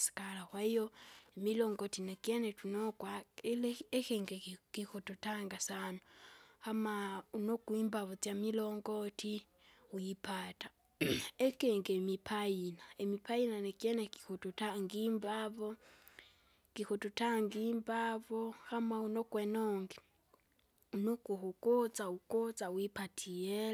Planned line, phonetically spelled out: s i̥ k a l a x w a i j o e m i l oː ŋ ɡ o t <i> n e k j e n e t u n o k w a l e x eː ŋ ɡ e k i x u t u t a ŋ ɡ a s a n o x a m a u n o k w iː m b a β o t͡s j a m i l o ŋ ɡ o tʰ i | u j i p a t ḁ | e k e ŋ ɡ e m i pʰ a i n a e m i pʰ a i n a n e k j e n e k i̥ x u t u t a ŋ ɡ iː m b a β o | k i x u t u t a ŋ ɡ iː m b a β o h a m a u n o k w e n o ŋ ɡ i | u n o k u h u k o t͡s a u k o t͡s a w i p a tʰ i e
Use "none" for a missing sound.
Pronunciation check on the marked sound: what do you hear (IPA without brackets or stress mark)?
i